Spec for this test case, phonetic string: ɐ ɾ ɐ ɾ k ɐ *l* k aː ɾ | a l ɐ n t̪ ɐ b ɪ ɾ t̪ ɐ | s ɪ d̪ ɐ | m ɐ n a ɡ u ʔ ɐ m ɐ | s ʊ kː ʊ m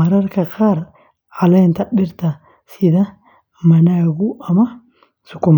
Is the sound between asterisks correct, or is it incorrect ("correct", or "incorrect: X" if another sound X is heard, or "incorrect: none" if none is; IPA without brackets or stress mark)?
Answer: incorrect: none